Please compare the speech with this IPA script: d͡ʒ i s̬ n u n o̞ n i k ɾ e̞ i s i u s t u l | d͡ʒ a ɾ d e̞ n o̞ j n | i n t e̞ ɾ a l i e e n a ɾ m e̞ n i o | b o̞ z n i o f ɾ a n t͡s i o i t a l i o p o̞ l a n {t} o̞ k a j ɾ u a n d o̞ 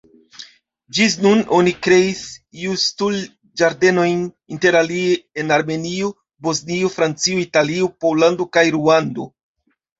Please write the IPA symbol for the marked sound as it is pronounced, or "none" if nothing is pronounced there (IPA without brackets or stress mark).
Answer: d